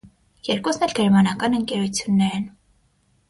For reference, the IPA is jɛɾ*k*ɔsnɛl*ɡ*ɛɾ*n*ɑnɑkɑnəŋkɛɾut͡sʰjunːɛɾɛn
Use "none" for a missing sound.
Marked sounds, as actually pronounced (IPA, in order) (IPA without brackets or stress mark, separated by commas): k, ɡ, m